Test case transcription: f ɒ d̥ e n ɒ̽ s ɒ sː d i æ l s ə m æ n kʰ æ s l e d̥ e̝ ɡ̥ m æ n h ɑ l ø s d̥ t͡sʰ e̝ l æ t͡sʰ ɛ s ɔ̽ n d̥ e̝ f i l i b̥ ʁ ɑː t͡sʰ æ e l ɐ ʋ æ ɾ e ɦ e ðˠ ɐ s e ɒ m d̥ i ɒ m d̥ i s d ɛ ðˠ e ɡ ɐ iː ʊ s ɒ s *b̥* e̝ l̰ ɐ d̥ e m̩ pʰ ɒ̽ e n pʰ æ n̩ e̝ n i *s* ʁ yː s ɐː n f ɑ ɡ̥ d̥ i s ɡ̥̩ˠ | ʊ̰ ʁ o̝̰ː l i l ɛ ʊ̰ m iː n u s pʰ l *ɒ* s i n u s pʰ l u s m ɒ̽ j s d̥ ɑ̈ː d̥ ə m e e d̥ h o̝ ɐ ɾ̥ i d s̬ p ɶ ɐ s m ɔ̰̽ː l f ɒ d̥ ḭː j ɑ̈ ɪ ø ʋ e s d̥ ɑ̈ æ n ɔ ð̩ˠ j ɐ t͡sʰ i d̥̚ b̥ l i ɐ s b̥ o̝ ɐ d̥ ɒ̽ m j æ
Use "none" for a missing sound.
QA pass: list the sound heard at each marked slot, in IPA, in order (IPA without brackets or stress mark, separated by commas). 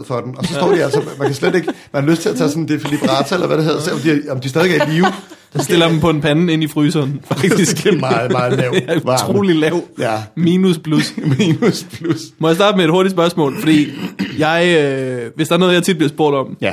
d̥, f, u